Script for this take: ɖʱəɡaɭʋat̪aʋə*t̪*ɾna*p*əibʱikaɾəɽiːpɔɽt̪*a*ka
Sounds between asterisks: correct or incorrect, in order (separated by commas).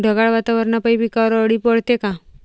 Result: incorrect, correct, incorrect